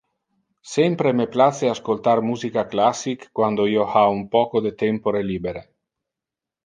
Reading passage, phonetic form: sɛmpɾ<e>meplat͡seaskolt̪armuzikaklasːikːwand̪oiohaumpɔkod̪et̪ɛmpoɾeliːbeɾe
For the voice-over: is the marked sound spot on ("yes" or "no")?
yes